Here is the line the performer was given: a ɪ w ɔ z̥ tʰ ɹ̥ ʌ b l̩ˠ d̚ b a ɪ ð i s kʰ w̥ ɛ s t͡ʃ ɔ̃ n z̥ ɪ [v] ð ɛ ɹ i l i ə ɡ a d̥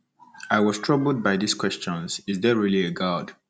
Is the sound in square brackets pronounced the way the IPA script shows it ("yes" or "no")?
no